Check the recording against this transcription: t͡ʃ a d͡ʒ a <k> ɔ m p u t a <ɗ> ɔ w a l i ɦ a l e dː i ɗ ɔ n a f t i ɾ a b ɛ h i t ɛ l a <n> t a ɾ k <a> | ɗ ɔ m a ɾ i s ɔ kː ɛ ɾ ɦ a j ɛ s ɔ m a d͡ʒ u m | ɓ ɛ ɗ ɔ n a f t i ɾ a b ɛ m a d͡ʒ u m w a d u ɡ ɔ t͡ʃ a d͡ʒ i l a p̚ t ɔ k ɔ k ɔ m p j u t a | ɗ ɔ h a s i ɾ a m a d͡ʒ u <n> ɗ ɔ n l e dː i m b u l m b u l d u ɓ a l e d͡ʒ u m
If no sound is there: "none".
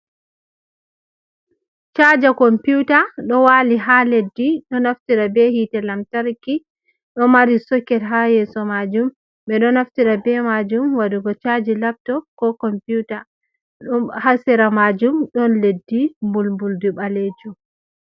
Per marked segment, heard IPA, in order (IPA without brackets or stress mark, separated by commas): k, ɗ, m, i, m